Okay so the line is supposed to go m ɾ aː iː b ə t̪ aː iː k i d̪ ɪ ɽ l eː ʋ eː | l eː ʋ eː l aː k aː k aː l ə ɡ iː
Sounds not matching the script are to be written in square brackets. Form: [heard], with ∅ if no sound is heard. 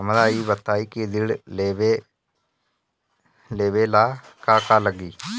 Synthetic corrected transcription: m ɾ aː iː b ə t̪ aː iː k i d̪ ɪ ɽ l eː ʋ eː | l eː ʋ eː l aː k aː k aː l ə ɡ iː